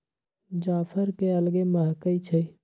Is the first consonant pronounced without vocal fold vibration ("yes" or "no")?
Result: no